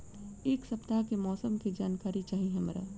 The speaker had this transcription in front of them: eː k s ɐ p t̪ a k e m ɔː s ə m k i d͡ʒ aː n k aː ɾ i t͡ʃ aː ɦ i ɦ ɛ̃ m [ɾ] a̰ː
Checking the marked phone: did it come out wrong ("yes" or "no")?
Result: no